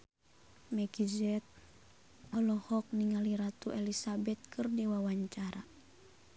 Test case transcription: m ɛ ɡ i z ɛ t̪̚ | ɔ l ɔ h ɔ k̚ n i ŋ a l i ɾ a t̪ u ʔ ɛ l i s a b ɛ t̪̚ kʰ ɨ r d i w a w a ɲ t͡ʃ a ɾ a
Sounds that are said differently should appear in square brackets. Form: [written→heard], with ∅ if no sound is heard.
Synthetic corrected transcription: m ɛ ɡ i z ɛ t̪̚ | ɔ l ɔ h ɔ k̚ n i ŋ a l i ɾ a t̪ u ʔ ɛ l i s a b ɛ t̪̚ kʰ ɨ r d i w a w a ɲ t͡ʃ a ɾ a